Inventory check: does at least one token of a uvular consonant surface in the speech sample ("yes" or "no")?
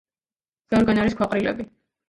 yes